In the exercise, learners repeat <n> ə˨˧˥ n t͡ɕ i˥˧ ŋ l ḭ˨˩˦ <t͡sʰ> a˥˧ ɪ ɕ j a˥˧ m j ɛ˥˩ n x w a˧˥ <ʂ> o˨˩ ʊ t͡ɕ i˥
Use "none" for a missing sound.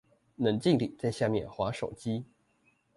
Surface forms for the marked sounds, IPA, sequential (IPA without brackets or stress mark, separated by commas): n, t͡s, ʂ